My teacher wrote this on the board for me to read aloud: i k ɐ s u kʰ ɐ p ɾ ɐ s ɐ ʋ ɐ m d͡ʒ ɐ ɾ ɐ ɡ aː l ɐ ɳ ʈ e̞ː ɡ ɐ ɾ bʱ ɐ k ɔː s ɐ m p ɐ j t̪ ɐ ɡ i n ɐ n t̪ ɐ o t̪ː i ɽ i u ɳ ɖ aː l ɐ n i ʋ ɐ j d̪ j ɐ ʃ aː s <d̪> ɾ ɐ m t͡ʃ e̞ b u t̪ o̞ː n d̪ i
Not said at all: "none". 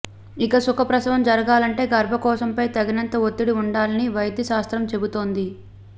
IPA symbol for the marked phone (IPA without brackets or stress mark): t̪